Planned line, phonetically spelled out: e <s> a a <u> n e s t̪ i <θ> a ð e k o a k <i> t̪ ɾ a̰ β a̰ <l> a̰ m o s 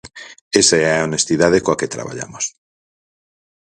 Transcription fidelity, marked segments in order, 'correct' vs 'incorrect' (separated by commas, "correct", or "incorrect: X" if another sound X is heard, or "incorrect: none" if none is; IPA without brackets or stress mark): correct, incorrect: o, incorrect: ð, incorrect: e, incorrect: ʎ